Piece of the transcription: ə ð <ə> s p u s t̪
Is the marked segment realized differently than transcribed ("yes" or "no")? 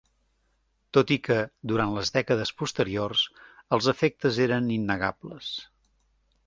no